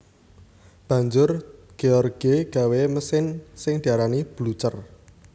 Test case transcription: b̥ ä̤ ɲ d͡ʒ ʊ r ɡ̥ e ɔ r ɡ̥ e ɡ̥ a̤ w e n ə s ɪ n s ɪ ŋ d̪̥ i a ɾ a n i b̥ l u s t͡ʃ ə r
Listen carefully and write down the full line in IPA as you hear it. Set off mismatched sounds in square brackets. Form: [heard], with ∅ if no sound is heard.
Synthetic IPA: b̥ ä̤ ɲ d͡ʒ ʊ r ɡ̥ e ɔ r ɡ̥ e ɡ̥ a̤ w e [m] ə s ɪ n s ɪ ŋ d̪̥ i a ɾ a n i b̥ l u [∅] t͡ʃ ə r